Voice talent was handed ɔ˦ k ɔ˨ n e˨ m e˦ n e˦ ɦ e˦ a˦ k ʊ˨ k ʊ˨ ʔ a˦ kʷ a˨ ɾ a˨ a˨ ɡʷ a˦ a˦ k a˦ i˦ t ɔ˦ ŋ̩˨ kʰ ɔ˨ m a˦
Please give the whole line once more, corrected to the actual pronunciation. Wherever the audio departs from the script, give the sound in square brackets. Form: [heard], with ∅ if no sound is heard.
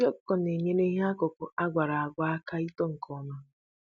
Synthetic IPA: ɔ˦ k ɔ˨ n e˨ [ɲ] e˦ n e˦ ɦ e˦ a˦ k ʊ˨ k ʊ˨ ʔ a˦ [ɡʷ] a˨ ɾ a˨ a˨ ɡʷ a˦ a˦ k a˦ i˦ t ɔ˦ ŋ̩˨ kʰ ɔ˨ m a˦

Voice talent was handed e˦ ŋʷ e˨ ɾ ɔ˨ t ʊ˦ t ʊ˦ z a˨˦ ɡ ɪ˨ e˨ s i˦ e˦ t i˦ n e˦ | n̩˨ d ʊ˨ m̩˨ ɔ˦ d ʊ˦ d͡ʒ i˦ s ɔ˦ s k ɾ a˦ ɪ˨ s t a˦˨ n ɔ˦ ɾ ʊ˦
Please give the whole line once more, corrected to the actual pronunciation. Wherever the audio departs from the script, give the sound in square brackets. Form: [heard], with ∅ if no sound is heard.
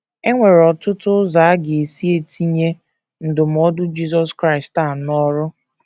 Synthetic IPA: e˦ ŋʷ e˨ ɾ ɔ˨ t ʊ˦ t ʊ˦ z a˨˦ ɡ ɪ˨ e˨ s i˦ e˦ t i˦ [ɲ] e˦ | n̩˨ d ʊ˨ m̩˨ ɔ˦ d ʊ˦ d͡ʒ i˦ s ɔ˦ s k ɾ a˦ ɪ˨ s t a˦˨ n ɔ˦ ɾ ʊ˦

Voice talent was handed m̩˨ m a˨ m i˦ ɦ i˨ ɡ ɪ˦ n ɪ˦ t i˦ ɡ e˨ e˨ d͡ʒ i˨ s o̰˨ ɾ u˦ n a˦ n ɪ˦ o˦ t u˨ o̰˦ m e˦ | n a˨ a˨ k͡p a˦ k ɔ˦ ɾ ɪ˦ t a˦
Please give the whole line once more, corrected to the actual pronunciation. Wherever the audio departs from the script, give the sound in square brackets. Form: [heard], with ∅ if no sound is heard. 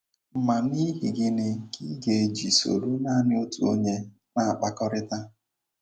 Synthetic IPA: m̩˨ m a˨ [n] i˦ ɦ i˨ ɡ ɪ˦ n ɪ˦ [k] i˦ ɡ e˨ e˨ d͡ʒ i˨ s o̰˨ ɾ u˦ n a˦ n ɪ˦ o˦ t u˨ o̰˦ [ɲ] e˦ | n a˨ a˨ k͡p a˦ k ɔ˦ ɾ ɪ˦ t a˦

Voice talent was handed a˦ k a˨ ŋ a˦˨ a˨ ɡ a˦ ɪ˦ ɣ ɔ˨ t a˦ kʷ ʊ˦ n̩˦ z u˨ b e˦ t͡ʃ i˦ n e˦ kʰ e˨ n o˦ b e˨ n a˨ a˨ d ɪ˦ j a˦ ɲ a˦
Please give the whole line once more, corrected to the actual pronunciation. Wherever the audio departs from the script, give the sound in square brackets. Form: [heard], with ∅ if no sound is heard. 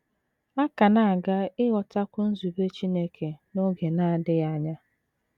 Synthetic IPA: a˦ k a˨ [n] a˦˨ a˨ ɡ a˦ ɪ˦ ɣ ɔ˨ t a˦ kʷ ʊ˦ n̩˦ z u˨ b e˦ t͡ʃ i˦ n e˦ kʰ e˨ n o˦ [ɡ] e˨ n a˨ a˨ d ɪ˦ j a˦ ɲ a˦

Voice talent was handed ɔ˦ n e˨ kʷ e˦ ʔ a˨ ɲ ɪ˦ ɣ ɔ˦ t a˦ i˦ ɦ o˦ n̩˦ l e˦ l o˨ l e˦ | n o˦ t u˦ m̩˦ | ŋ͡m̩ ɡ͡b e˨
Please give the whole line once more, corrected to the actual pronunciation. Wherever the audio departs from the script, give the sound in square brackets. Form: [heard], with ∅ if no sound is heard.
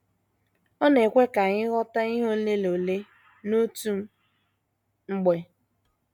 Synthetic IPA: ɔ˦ n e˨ kʷ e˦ [k] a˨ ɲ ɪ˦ ɣ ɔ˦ t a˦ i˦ ɦ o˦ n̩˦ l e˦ l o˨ l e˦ | n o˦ t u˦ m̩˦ | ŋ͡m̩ ɡ͡b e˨

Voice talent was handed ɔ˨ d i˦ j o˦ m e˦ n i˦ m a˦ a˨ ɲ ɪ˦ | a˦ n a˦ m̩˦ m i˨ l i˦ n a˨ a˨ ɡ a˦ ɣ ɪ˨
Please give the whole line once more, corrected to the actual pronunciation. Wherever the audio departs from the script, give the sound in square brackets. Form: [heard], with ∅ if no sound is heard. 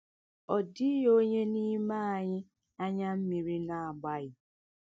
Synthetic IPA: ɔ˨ d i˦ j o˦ [ɲ] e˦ n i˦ m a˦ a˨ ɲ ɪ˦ | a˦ [ɲ] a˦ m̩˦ m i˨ [ɾ] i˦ n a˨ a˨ [ɡ͡b] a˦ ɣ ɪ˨

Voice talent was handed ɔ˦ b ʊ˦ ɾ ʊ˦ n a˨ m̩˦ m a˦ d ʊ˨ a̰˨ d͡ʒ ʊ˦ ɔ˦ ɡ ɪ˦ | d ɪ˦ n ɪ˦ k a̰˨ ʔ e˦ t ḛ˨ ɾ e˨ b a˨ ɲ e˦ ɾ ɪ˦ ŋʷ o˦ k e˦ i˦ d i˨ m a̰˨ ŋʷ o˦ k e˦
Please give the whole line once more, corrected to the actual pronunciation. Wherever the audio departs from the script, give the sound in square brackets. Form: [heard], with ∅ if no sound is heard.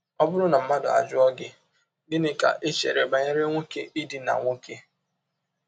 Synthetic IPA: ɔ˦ b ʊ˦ ɾ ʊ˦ n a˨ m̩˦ m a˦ d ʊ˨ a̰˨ d͡ʒ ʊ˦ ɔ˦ ɡ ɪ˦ | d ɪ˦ n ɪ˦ k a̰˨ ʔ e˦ [t͡ʃ] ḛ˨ ɾ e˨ b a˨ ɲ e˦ ɾ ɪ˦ ŋʷ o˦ k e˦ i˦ d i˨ [n] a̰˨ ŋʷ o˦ k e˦

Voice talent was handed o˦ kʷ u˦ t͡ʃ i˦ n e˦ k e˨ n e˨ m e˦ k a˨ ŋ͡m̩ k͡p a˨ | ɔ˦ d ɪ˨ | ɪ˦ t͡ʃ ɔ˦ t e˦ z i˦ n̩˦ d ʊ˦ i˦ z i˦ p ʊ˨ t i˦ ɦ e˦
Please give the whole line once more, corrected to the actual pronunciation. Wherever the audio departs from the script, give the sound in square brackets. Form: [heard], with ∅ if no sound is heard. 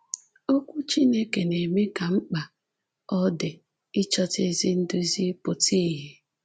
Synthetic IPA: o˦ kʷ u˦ t͡ʃ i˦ n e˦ k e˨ n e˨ m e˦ k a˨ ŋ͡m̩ k͡p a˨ | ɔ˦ d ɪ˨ | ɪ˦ t͡ʃ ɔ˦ t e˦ z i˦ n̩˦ d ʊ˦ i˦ z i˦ p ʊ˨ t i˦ ɦ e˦

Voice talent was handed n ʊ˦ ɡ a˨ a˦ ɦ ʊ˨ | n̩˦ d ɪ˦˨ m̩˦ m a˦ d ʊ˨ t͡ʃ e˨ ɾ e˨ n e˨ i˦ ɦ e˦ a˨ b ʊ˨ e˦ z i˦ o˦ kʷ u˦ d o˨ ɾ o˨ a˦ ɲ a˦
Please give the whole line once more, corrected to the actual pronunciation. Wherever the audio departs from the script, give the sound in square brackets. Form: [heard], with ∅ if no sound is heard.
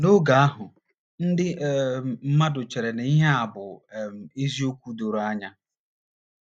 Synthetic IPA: n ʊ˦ ɡ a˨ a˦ ɦ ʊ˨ | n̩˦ d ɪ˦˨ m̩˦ m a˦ d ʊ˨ t͡ʃ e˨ ɾ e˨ n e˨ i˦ ɦ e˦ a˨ b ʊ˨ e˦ z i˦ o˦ kʷ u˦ d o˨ ɾ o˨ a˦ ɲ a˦

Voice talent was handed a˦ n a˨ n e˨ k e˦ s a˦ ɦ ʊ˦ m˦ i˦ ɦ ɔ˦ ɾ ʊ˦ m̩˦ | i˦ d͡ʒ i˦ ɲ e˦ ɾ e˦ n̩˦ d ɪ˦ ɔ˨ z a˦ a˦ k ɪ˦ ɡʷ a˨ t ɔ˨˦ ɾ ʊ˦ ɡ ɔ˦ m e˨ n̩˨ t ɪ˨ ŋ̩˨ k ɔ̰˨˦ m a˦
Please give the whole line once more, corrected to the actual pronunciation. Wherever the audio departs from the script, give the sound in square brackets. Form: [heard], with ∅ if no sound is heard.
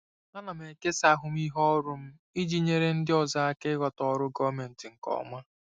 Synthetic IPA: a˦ n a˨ [m] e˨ k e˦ s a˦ ɦ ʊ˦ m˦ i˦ ɦ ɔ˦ ɾ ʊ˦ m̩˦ | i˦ d͡ʒ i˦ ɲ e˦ ɾ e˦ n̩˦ d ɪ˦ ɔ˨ z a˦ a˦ k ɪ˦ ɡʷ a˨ t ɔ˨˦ ɾ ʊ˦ ɡ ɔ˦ m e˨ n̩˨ t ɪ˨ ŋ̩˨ k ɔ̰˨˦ m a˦

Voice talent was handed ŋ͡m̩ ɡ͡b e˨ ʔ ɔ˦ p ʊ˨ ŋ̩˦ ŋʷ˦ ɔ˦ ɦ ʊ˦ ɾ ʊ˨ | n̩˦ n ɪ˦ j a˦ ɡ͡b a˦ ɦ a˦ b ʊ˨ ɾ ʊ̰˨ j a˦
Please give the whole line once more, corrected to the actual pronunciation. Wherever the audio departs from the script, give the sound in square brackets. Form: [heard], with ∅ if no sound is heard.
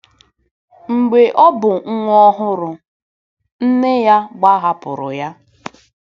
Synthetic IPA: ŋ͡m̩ ɡ͡b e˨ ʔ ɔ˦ [b] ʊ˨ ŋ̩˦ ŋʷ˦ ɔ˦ ɦ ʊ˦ ɾ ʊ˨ | n̩˦ n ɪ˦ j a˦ ɡ͡b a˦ ɦ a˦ [p] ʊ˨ ɾ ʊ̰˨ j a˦

